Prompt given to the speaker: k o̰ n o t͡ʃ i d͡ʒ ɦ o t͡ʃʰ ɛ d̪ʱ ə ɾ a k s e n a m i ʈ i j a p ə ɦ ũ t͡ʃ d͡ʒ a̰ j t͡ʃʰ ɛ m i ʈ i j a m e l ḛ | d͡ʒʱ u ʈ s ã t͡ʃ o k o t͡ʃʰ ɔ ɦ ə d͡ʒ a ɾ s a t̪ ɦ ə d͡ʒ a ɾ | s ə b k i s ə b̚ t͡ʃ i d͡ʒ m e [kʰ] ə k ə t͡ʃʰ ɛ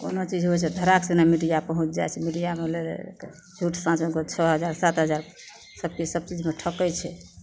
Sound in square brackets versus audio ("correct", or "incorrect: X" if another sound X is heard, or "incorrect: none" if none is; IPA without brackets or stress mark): incorrect: ʈʰ